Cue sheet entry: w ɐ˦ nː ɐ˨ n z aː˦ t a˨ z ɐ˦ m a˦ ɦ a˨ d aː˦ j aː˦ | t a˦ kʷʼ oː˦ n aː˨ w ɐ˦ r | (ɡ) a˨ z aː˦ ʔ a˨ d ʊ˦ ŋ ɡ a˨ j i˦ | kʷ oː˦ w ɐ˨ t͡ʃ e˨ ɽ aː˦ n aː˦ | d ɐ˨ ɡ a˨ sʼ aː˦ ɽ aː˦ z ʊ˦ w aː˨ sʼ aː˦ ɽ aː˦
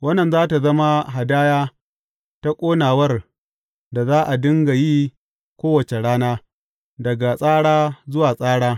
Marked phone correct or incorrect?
incorrect